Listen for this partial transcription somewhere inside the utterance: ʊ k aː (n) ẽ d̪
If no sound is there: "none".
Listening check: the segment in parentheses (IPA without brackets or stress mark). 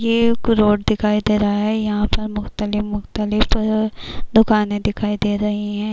n